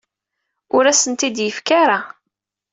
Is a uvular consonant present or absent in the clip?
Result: absent